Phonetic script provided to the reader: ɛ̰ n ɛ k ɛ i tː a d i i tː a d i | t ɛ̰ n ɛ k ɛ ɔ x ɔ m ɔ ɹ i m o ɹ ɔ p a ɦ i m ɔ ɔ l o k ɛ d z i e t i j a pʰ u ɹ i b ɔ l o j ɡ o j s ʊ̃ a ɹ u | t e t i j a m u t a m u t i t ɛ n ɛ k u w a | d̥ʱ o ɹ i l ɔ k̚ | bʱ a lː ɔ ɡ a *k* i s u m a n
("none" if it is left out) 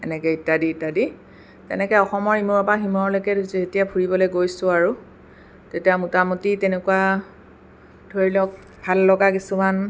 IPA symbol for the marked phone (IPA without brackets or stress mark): k